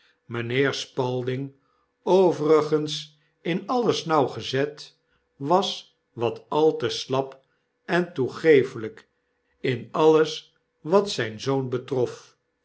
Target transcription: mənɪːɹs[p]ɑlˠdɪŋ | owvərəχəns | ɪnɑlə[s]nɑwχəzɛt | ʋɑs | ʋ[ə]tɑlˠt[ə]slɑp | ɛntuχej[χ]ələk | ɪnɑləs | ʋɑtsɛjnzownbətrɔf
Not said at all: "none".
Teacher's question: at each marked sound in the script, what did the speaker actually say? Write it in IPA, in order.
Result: p, s, ɑ, ə, f

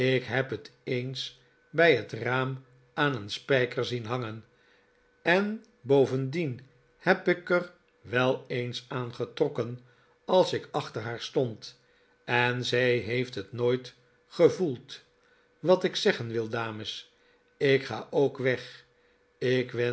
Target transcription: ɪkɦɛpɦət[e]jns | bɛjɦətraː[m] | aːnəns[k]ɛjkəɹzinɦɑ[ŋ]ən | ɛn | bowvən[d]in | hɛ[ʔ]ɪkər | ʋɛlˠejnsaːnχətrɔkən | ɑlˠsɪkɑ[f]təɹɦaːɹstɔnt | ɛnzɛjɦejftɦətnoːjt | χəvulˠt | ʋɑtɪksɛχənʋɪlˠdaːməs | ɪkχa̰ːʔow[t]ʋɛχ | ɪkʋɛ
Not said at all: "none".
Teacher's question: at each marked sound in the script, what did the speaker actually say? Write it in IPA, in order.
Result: e, m, p, ŋ, d, p, χ, k

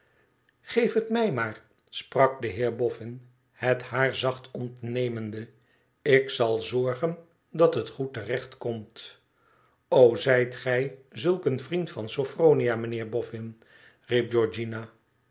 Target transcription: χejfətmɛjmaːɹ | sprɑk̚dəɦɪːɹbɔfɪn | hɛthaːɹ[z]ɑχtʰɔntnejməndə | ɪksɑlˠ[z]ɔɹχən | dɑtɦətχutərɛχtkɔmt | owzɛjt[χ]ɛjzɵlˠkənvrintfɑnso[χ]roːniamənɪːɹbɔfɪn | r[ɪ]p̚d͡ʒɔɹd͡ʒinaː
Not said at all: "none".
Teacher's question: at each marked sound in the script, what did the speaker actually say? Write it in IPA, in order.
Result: z, z, χ, f, i

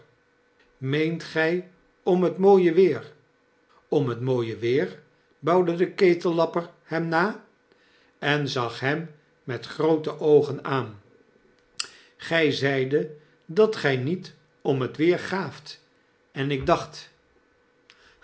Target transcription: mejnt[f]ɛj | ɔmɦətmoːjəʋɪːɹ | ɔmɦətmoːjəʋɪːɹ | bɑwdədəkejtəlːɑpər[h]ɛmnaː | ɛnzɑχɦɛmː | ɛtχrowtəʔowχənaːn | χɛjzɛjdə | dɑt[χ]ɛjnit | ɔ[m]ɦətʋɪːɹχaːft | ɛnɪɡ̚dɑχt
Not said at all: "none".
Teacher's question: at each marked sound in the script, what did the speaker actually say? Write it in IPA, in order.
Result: χ, h, χ, m

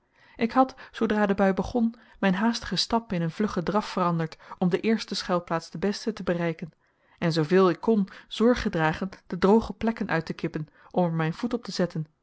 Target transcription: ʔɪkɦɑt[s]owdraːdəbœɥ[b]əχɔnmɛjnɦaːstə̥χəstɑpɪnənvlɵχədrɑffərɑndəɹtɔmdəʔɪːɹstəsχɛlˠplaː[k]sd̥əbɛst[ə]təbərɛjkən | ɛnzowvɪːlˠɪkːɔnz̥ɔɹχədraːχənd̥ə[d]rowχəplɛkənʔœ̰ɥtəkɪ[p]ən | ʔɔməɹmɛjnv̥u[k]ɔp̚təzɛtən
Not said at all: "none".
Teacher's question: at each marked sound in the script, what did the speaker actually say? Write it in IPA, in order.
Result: s, b, t, ə, d, p, t

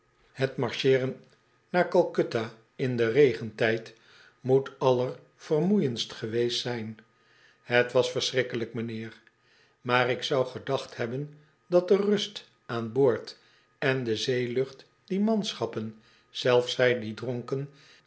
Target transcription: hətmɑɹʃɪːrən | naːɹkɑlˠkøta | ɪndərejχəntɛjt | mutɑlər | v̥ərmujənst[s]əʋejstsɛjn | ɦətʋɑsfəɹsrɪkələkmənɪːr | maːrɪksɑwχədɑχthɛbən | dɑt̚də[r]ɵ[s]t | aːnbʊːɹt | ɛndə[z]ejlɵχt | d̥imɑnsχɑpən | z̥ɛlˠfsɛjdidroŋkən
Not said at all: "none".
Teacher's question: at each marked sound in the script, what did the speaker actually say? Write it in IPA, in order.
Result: χ, r, s, z

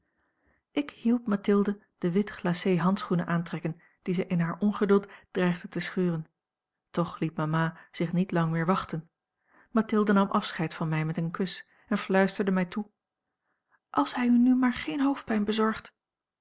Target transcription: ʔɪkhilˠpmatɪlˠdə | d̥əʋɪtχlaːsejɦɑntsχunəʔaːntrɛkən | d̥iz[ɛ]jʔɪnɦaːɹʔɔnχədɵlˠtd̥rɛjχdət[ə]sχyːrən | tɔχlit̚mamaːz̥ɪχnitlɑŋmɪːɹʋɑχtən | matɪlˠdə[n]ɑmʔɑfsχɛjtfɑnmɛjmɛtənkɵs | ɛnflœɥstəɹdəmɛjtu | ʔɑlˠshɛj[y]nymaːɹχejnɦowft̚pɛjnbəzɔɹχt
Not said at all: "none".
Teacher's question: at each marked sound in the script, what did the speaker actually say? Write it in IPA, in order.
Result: ɛ, ə, n, y

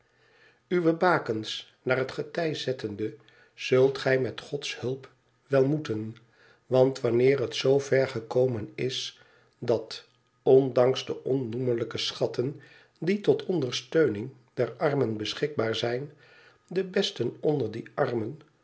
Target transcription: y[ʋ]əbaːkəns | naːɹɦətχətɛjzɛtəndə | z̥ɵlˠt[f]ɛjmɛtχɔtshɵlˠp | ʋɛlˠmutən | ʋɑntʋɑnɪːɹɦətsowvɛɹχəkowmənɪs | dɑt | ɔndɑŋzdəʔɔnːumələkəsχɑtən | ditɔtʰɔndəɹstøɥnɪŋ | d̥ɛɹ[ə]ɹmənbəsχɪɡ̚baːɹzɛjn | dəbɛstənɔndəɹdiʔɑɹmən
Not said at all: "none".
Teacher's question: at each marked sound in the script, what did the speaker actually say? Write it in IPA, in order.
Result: ʋ, χ, ɑ

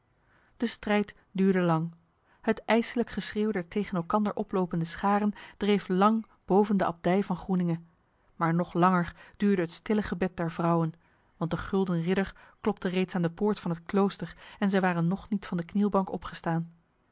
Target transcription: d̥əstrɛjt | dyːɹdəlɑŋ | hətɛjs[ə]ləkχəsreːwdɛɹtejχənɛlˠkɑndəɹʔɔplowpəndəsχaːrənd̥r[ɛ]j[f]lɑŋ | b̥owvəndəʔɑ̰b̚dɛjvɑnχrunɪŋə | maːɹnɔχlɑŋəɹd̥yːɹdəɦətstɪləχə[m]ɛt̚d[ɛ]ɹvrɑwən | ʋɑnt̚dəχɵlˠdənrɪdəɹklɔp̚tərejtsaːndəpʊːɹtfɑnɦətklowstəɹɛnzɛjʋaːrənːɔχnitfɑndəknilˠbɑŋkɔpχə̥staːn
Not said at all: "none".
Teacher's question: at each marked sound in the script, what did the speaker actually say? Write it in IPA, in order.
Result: ə, e, f, b, ɛ

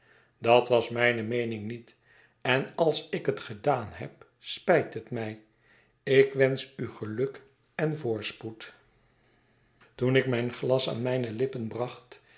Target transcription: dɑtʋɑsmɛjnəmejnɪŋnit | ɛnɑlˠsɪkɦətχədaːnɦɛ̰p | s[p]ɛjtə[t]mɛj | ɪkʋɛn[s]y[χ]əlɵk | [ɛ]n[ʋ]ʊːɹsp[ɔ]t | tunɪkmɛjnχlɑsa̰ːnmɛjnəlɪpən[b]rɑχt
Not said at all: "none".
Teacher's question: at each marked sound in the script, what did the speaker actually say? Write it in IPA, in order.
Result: p, t, s, χ, ɛ, v, u, b

